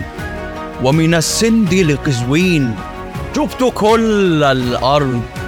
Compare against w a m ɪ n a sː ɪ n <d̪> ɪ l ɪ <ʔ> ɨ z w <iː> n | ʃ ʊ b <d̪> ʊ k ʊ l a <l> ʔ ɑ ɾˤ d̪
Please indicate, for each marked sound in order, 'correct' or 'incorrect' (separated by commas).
correct, incorrect, correct, incorrect, correct